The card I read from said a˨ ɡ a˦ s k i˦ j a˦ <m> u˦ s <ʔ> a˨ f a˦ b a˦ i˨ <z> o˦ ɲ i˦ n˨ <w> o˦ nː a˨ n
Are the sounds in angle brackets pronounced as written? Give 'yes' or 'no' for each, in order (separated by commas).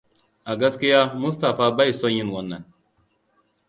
yes, no, no, yes